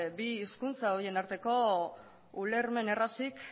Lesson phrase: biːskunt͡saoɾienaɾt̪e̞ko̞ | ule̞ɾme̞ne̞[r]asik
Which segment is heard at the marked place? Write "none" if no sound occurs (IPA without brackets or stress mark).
r